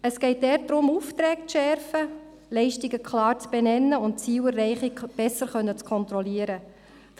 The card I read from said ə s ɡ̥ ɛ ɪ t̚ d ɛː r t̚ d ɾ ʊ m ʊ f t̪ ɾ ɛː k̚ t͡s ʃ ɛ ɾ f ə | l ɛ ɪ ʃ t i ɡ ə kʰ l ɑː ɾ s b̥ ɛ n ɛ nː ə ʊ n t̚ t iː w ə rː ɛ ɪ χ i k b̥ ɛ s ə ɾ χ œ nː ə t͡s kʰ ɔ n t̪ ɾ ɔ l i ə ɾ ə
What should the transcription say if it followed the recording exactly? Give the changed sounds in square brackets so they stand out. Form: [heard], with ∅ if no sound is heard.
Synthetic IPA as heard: ə s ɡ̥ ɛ ɪ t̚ d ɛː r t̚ d ɾ ʊ m [u] f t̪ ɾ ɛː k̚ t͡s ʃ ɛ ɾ f ə | l ɛ ɪ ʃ t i ɡ ə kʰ l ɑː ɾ [t͡s] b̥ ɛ n ɛ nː ə ʊ n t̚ [t͡s] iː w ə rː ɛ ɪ χ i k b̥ ɛ s ə ɾ χ œ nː ə t͡s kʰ ɔ n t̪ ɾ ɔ l i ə ɾ ə